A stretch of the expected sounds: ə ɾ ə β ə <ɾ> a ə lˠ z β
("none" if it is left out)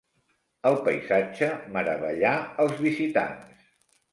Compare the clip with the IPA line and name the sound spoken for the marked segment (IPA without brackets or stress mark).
ʎ